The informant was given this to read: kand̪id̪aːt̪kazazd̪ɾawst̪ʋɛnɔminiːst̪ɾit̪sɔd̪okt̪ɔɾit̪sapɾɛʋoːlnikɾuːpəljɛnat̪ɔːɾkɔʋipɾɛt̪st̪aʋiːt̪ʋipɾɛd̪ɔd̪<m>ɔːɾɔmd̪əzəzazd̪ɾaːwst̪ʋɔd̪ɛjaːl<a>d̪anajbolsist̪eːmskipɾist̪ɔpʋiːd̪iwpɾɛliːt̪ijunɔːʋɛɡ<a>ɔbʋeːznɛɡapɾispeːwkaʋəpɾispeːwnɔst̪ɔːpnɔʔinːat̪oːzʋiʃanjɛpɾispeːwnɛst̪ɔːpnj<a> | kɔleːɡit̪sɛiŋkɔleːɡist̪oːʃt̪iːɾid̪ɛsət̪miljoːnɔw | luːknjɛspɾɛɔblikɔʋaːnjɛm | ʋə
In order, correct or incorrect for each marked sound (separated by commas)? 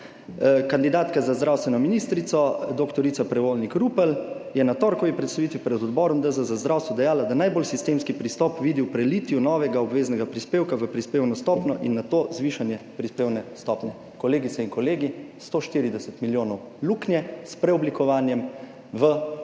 incorrect, correct, correct, incorrect